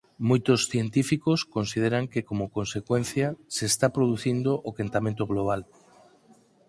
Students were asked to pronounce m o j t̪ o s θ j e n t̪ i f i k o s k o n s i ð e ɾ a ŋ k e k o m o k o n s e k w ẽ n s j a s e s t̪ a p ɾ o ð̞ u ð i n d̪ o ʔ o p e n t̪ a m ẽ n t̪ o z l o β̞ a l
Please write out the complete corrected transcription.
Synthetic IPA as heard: m o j t̪ o s θ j e n t̪ i f i k o s k o n s i ð e ɾ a ŋ k e k o m o k o n s e k w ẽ n θ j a s e s t̪ a p ɾ o ð̞ u θ i n d̪ o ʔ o k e n t̪ a m ẽ n t̪ o ɣ l o β̞ a l